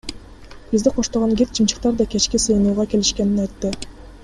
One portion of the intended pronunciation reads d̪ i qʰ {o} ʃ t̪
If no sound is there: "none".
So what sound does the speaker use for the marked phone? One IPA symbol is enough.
o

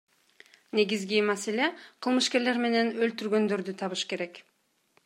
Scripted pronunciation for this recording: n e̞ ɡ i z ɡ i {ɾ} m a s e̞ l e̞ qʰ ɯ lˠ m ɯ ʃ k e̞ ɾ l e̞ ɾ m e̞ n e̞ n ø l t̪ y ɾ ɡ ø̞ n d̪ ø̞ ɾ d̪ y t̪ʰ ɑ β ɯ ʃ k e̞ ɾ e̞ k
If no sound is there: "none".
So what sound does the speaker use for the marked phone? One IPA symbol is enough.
none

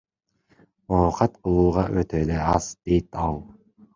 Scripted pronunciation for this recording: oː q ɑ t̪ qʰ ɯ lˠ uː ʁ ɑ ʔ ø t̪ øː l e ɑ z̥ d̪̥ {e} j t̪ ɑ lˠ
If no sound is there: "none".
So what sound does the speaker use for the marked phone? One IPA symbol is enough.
e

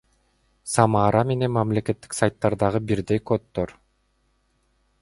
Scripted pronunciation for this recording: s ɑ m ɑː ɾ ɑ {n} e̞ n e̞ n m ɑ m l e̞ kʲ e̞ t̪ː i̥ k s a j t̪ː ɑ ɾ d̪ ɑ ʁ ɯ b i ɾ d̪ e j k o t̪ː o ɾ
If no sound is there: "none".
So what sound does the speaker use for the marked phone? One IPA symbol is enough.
m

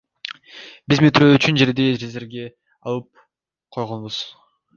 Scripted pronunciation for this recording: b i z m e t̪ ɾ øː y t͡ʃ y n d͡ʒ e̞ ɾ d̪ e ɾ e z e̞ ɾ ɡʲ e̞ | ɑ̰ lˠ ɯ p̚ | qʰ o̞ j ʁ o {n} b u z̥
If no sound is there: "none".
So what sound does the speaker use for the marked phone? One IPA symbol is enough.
n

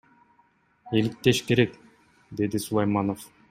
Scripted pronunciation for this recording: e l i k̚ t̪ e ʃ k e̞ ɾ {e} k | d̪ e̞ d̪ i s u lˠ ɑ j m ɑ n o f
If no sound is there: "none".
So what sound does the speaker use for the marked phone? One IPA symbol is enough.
e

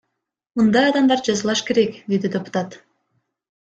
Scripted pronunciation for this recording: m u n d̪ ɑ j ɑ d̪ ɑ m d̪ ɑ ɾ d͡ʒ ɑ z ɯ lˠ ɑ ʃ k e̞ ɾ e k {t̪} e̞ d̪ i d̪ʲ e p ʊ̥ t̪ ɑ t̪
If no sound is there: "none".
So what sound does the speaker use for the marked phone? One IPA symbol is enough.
d̪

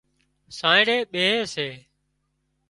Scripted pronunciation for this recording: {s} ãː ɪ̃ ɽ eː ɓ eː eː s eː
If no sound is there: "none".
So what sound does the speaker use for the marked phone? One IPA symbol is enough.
s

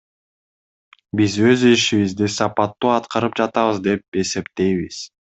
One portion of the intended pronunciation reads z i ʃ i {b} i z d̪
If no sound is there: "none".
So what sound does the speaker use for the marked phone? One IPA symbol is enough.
β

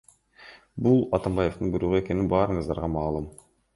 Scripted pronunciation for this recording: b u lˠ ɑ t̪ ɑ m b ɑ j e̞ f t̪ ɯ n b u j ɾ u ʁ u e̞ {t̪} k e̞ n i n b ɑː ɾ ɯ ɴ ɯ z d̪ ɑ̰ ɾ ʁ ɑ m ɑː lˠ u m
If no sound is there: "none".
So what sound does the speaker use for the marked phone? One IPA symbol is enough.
none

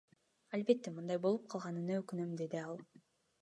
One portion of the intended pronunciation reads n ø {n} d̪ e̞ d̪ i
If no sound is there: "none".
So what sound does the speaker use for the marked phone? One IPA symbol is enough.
m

